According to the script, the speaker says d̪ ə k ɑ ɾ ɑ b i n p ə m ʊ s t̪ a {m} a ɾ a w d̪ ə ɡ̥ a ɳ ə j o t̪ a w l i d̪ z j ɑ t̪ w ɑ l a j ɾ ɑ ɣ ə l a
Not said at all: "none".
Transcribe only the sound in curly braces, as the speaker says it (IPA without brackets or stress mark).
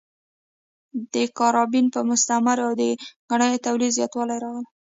m